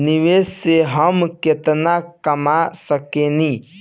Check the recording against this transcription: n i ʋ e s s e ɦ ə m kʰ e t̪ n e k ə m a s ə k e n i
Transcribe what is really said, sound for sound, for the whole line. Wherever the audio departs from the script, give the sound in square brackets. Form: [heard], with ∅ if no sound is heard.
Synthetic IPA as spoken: n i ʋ e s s e ɦ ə m [k] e t̪ n [a] k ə m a s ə k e n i